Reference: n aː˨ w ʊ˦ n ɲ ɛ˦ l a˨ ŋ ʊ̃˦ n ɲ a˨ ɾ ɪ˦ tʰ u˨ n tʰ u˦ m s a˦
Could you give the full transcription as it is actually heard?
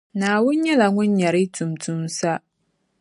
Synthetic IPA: n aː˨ w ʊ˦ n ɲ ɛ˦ l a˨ ŋ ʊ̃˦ n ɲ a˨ ɾ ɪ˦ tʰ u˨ m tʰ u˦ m s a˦